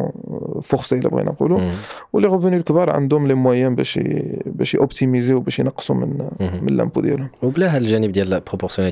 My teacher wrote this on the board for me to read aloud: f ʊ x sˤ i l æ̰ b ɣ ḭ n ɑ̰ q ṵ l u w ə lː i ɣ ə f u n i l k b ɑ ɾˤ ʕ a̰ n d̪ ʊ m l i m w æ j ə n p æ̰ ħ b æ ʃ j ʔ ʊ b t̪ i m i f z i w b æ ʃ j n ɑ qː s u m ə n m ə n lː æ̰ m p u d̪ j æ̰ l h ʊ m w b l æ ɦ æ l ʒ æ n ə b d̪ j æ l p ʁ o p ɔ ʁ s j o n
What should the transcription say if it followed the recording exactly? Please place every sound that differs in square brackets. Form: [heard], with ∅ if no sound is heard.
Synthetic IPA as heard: f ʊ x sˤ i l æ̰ b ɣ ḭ n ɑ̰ q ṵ l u w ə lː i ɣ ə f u n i l k b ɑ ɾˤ ʕ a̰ n d̪ ʊ m l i m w æ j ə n [b] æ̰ [ʃ] b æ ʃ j ʔ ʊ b t̪ i m i [∅] z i w b æ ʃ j n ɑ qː s u m ə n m ə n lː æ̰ m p u d̪ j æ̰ l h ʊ m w b l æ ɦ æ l ʒ æ n ə b d̪ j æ l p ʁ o p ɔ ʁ s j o n